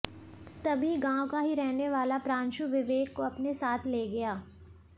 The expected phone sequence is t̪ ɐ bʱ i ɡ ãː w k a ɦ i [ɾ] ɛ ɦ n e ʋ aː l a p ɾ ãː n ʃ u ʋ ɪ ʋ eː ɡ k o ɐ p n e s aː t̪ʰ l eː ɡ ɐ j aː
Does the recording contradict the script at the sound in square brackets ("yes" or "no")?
no